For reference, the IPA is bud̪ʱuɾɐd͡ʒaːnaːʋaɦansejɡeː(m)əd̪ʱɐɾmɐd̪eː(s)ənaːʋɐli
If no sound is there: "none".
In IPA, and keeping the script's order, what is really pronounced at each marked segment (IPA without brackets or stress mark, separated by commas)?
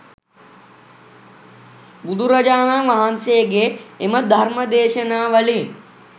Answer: m, ʃ